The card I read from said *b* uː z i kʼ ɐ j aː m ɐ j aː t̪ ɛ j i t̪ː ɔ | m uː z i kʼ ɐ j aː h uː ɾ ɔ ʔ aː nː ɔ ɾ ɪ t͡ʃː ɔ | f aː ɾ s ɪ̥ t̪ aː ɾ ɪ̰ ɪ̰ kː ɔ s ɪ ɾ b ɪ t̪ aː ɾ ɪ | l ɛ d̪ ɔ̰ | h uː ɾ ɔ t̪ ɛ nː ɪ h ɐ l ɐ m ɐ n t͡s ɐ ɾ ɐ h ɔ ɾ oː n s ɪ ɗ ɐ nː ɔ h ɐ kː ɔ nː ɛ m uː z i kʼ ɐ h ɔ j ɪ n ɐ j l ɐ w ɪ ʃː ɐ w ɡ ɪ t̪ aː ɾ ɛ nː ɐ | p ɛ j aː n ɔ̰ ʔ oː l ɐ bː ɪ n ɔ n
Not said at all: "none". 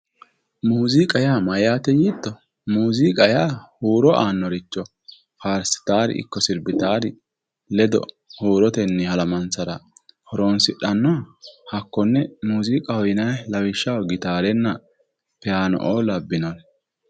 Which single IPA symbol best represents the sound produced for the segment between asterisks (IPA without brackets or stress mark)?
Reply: m